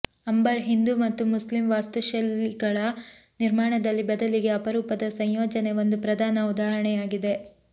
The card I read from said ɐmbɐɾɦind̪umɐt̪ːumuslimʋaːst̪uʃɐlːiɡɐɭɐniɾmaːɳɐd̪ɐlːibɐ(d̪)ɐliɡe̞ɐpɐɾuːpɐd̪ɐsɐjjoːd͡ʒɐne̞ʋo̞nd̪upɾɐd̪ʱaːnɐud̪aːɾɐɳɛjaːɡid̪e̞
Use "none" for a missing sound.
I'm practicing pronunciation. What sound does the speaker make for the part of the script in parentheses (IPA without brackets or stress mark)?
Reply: d̪